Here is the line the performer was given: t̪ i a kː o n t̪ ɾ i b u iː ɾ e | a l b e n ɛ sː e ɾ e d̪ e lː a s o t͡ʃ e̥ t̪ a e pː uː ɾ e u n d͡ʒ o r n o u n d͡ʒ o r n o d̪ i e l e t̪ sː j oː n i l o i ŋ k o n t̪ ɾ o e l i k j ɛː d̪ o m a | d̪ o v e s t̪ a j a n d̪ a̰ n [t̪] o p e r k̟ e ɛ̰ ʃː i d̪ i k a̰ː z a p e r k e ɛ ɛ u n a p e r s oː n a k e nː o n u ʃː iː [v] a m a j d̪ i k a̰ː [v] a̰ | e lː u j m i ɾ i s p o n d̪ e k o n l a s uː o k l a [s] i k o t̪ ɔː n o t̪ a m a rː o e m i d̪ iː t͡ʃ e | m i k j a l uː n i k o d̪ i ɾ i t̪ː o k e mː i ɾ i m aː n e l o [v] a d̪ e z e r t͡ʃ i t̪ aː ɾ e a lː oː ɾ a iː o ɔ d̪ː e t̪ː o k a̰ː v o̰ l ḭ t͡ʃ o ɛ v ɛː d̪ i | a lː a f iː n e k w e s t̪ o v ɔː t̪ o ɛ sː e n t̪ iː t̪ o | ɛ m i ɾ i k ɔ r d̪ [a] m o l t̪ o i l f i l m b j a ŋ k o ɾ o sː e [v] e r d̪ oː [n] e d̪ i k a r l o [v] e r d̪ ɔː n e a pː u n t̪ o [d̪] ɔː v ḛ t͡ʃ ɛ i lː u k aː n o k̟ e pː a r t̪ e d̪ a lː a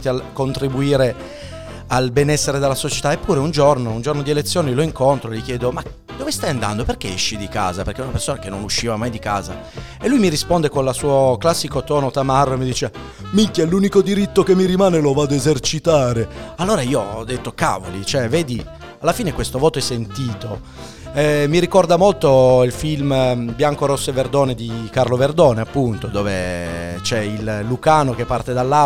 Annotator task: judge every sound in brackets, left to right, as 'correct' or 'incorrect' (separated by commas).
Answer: incorrect, correct, incorrect, incorrect, correct, correct, correct, correct, correct, correct